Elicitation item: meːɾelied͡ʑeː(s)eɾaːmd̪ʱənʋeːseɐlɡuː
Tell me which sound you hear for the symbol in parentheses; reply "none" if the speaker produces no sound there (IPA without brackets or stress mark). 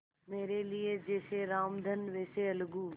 s